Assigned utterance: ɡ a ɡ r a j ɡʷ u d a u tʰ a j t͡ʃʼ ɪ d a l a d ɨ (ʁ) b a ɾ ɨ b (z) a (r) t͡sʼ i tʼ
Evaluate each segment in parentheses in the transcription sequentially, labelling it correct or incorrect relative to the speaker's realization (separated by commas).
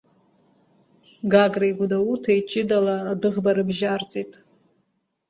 correct, incorrect, correct